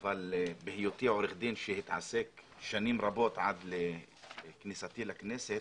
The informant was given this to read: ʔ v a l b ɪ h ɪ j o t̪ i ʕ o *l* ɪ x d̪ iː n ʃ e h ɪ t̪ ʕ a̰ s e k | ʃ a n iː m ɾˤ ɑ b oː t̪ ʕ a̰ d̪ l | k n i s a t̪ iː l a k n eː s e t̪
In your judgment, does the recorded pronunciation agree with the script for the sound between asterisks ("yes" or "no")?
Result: no